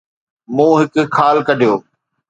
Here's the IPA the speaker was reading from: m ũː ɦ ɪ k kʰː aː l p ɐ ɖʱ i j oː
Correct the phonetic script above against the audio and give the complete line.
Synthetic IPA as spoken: m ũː ɦ ɪ k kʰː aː l k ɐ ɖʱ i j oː